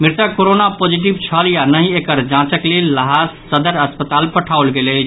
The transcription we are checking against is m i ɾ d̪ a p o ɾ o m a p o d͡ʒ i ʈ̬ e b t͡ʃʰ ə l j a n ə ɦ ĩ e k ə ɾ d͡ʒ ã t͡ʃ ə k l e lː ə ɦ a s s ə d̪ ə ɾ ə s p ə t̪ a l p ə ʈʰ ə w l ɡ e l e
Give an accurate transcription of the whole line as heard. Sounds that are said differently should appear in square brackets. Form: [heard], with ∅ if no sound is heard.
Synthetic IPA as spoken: m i ɾ [t̪] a [k] o ɾ o [n] a p o d͡ʒ i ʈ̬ [i] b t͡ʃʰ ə l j a n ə ɦ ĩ e k ə ɾ d͡ʒ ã t͡ʃ ə k l e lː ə ɦ a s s ə d̪ ə ɾ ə s p ə t̪ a l p ə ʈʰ [a] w l ɡ e l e